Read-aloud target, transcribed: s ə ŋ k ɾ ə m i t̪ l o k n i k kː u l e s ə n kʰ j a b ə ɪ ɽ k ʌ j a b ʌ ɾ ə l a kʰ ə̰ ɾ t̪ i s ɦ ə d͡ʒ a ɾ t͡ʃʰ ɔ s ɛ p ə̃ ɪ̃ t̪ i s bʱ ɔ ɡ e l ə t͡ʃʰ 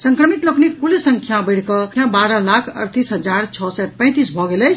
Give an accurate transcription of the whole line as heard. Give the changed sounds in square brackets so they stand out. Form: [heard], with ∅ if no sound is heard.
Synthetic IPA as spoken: s ə ŋ k ɾ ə m i t̪ l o k n i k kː u l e s ə [ŋ] kʰ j a b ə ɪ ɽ k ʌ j a b [a] ɾ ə l a kʰ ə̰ ɾ t̪ i s ɦ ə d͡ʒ a ɾ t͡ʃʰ ɔ s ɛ p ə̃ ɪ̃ t̪ i s bʱ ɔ ɡ e l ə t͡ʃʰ